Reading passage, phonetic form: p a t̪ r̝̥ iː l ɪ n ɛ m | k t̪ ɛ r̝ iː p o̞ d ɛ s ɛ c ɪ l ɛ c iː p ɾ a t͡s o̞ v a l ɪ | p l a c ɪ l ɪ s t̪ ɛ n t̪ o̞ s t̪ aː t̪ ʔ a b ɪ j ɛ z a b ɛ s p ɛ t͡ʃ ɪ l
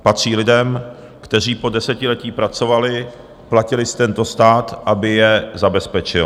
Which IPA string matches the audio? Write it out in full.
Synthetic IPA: p a t̪ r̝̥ iː l ɪ d ɛ m | k t̪ ɛ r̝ iː p o̞ d ɛ s ɛ c ɪ l ɛ c iː p ɾ a t͡s o̞ v a l ɪ | p l a c ɪ l ɪ s t̪ ɛ n t̪ o̞ s t̪ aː t̪ ʔ a b ɪ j ɛ z a b ɛ s p ɛ t͡ʃ ɪ l

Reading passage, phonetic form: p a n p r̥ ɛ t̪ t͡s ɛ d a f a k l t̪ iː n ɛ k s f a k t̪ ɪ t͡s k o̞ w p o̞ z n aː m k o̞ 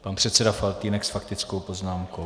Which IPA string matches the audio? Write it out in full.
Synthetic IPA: p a n p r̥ ɛ t̪ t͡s ɛ d a f a l t̪ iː n ɛ k s f a k t̪ ɪ t͡s k o̞ w p o̞ z n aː m k o̞

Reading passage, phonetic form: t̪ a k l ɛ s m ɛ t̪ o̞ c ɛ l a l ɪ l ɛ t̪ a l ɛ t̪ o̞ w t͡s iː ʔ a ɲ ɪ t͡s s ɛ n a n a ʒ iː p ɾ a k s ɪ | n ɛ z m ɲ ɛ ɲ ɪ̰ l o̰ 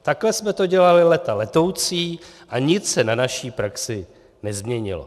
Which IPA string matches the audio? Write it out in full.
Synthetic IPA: t̪ a k l ɛ s m ɛ t̪ o̞ ɟ ɛ l a l ɪ l ɛ t̪ a l ɛ t̪ o̞ w t͡s iː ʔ a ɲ ɪ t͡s s ɛ n a n a ʃ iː p ɾ a k s ɪ | n ɛ z m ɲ ɛ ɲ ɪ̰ l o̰

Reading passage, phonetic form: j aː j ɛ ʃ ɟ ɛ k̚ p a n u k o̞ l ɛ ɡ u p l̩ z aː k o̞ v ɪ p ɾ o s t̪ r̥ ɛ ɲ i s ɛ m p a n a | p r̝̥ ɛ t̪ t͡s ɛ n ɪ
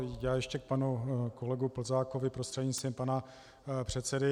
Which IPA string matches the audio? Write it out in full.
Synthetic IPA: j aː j ɛ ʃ c ɛ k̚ p a n u k o̞ l ɛ ɡ u p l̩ z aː k o̞ v ɪ p ɾ o s t̪ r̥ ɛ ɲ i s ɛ m p a n a | p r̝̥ ɛ t̪ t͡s ɛ d ɪ

